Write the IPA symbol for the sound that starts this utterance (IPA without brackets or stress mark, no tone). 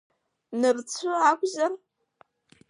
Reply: n